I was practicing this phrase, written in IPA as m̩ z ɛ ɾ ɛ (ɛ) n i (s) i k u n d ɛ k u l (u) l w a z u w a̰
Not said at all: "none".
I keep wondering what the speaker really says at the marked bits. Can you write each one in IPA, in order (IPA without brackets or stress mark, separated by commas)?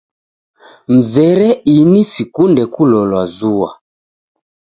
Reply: i, s, ɔ